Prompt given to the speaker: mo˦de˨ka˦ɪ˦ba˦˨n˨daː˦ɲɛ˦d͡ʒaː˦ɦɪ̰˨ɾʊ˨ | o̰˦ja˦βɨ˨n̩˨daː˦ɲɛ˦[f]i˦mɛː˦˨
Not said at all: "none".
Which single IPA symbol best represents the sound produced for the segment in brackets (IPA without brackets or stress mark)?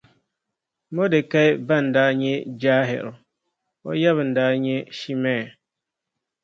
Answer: ʃ